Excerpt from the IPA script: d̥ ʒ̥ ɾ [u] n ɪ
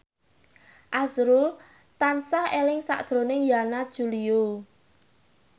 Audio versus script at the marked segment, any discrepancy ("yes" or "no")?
yes